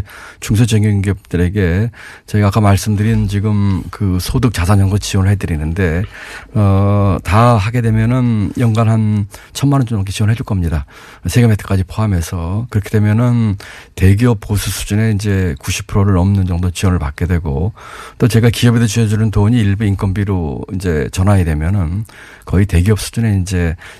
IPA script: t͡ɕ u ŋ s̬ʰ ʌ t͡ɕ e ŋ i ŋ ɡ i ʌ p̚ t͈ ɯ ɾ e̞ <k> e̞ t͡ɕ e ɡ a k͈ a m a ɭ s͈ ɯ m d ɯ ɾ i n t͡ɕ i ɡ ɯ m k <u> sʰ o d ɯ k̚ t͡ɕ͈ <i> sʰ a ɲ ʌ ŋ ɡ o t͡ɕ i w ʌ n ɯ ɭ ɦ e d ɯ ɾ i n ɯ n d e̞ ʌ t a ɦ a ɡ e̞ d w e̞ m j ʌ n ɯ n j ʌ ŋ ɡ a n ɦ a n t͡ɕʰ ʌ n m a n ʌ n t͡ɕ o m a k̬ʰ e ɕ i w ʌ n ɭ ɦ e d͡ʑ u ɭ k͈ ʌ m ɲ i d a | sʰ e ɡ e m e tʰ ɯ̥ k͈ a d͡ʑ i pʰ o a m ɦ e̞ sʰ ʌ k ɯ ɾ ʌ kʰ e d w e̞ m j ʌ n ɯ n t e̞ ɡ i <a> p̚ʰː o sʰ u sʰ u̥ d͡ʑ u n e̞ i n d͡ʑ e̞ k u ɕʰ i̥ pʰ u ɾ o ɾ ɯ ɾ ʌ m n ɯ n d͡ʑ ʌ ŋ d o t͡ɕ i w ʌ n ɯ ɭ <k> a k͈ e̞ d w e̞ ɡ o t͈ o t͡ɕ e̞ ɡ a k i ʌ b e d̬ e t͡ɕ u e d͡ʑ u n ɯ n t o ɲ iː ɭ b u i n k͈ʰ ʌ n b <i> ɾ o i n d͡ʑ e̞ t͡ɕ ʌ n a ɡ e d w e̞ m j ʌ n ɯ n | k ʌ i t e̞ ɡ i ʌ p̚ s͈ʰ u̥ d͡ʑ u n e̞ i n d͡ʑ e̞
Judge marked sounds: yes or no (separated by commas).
no, no, no, no, no, yes